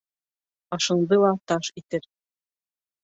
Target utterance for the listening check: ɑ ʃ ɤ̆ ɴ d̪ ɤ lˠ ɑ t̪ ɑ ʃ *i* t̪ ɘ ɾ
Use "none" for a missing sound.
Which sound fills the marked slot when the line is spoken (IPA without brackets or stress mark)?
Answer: i